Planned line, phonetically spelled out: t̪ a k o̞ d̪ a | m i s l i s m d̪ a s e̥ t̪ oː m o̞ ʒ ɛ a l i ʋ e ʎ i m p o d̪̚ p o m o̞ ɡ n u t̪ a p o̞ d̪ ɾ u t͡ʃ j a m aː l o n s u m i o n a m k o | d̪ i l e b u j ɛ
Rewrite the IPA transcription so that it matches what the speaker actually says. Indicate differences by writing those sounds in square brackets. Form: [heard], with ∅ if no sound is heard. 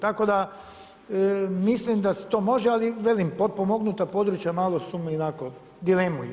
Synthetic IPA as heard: t̪ a k o̞ d̪ a | m i s l i [∅] m d̪ a s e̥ t̪ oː m o̞ ʒ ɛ a l i ʋ e [l] i m p o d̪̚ p o m o̞ ɡ n u t̪ a p o̞ d̪ ɾ u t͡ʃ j a m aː l o [∅] s u m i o n a [∅] k o | d̪ i l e [m] u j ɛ